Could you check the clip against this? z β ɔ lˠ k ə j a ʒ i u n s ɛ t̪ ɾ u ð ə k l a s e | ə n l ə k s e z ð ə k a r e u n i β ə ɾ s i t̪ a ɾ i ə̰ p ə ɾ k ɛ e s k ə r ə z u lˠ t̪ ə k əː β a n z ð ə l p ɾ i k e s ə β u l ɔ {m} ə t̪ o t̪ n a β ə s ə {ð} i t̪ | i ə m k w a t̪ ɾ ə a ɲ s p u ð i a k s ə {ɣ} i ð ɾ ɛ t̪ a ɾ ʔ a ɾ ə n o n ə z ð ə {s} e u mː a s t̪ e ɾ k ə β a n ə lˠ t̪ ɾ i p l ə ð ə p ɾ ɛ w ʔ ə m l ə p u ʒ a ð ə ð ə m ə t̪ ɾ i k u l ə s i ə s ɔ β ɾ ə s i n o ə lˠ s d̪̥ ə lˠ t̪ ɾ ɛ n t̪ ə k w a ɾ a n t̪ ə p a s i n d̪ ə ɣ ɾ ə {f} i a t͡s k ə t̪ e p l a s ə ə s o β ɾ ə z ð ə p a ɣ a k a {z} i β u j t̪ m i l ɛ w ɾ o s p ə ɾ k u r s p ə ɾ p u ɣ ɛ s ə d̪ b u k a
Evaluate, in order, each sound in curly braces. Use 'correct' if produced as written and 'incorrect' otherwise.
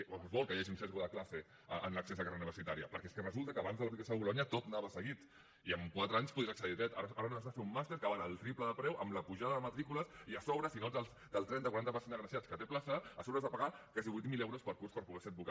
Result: incorrect, incorrect, incorrect, incorrect, incorrect, correct

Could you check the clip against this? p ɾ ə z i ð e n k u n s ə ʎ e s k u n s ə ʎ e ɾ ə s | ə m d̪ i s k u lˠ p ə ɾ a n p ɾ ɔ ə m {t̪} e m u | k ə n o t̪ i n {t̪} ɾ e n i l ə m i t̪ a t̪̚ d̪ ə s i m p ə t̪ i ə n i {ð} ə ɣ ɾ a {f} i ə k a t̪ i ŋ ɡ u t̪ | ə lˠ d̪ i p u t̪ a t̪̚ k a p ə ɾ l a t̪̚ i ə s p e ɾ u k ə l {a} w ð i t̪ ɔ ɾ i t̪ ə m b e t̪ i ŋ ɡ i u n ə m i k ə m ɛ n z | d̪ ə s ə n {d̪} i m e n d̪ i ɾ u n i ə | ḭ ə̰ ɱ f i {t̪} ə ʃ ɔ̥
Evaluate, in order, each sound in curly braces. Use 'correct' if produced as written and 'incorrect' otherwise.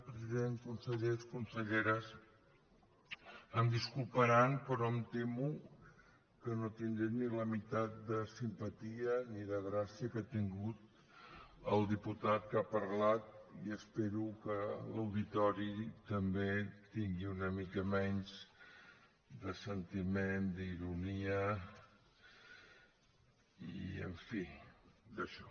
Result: correct, incorrect, correct, incorrect, incorrect, incorrect, incorrect

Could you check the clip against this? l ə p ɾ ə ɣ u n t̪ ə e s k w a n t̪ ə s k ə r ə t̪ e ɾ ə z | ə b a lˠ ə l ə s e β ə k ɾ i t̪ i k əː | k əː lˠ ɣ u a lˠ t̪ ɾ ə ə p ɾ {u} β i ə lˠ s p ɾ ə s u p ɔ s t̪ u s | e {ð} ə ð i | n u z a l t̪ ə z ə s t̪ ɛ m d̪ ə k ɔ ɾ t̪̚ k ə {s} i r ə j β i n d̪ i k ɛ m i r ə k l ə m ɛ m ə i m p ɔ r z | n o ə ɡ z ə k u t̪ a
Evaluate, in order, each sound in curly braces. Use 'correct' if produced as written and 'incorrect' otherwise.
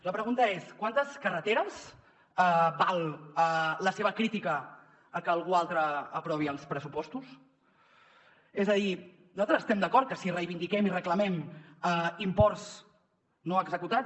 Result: incorrect, incorrect, correct

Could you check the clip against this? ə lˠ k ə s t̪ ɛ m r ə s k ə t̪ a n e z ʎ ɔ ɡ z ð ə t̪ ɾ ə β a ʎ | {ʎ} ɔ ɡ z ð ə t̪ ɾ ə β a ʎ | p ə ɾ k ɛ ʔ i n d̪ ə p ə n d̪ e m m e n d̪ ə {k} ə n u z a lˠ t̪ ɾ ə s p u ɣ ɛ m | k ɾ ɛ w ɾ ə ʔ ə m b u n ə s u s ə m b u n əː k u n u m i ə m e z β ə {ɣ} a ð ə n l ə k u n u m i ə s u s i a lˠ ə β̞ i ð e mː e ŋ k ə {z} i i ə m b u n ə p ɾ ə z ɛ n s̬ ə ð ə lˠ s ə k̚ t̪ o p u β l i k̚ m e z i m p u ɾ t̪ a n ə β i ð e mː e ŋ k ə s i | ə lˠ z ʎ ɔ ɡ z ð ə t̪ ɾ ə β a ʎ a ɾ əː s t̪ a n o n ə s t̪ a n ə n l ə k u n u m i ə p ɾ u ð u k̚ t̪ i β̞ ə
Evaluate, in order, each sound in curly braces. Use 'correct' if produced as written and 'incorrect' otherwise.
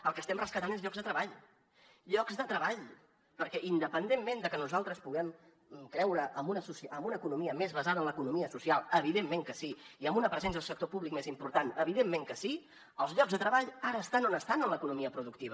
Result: correct, correct, incorrect, incorrect

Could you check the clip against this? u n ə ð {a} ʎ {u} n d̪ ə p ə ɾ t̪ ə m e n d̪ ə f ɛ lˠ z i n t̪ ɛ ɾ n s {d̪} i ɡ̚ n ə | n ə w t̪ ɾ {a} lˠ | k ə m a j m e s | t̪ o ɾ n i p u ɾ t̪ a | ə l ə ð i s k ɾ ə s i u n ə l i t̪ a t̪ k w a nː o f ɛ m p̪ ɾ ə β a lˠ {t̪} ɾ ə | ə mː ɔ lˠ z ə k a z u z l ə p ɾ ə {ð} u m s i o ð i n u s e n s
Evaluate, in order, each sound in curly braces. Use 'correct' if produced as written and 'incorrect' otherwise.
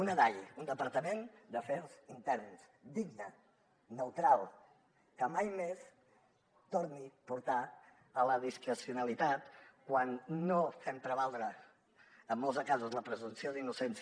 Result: correct, correct, correct, correct, incorrect, incorrect

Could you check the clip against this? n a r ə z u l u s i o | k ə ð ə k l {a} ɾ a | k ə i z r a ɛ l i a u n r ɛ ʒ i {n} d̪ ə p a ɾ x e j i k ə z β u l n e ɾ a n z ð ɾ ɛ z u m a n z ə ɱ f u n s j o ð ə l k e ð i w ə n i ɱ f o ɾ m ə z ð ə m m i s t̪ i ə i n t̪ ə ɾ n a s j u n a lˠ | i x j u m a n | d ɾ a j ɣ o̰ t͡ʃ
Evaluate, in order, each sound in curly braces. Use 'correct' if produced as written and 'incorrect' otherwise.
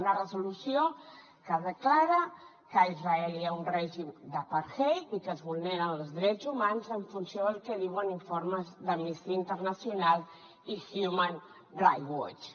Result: correct, incorrect

